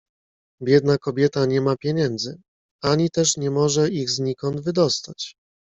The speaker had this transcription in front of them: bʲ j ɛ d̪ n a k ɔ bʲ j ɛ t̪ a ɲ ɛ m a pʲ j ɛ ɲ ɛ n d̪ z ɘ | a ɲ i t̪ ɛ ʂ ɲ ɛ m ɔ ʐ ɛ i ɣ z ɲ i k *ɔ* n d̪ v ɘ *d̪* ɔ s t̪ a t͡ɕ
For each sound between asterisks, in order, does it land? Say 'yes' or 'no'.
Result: yes, yes

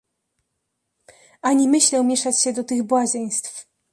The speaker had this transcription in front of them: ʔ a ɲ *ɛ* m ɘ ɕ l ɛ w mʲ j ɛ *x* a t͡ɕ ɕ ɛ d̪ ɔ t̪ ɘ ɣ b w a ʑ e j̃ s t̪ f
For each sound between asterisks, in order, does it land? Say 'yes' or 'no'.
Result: no, no

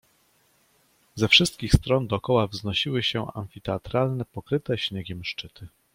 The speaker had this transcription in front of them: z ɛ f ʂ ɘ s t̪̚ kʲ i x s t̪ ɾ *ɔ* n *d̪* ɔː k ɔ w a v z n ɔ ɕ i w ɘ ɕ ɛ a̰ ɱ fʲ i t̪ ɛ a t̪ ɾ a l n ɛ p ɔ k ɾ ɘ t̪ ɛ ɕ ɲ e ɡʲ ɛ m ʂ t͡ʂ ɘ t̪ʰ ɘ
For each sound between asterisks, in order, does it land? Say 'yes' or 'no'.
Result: yes, yes

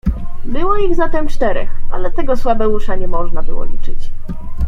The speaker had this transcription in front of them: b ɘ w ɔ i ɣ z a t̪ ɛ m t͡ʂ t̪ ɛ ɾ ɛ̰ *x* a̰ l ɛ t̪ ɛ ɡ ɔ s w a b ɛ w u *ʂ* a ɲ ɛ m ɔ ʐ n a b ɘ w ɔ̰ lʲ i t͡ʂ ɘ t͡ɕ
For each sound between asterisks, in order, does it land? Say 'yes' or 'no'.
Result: yes, yes

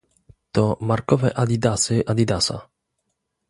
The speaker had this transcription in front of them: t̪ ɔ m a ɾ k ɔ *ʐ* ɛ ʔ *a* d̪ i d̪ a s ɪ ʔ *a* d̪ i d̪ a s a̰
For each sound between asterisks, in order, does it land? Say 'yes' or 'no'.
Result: no, yes, yes

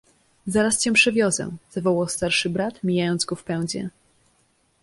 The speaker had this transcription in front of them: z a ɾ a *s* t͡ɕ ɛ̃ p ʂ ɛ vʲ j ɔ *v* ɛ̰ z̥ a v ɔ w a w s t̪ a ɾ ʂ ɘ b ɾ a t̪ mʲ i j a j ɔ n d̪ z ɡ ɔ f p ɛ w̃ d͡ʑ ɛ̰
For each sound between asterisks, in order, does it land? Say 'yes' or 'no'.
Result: yes, no

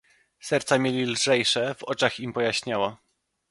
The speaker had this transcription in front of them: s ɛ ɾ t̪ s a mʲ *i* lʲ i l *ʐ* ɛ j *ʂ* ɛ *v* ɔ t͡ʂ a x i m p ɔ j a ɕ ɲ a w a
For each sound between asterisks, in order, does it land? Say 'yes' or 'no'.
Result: no, yes, yes, yes

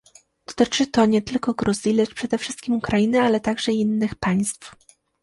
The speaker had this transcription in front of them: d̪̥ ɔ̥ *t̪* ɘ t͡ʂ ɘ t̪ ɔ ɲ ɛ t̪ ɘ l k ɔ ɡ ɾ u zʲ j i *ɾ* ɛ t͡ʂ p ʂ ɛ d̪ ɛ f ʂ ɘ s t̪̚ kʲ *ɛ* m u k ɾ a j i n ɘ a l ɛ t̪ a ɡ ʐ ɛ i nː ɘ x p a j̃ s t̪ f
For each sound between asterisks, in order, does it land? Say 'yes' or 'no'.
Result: yes, no, no

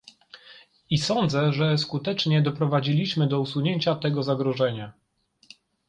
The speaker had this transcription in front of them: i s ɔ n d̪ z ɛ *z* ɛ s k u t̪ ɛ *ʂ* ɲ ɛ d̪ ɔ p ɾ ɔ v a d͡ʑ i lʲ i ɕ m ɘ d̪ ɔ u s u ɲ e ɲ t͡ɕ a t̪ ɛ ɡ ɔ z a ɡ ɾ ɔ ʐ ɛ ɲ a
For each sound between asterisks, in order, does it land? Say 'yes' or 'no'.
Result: no, no

